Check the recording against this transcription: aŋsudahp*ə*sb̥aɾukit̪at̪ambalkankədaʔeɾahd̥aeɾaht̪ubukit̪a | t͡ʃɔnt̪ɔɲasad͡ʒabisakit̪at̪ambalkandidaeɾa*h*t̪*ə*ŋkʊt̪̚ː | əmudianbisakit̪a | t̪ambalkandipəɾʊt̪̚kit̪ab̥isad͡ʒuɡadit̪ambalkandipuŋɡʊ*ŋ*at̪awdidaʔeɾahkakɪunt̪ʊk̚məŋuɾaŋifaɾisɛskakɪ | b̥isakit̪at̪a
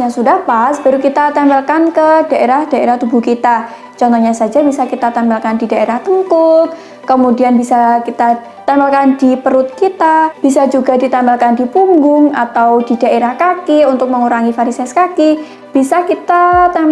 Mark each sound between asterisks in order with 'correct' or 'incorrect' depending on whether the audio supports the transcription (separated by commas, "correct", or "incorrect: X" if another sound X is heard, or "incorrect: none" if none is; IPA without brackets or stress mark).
incorrect: a, correct, correct, correct